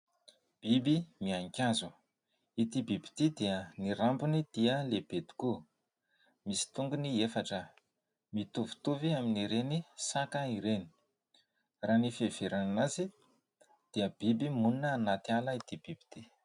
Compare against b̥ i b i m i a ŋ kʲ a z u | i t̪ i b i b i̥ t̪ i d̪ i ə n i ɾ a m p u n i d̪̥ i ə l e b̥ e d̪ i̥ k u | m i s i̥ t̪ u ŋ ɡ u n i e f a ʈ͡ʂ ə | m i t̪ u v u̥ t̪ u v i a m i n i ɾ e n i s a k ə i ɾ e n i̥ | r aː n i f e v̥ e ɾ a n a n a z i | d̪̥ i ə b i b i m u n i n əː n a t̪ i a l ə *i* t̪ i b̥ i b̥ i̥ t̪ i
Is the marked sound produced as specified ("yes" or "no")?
yes